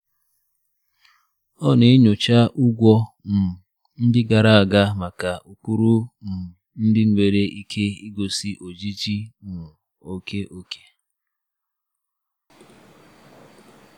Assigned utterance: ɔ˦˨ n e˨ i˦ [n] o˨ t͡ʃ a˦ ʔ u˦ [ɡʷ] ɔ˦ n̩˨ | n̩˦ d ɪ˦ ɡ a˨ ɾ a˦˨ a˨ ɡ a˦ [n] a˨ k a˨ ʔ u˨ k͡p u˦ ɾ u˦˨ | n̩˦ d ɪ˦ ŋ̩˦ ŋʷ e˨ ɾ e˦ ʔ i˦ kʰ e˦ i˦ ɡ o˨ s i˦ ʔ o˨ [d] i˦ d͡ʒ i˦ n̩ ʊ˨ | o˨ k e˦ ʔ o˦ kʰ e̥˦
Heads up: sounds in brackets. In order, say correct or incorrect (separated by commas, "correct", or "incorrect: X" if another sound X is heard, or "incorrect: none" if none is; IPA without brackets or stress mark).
incorrect: ɲ, correct, incorrect: m, incorrect: d͡ʒ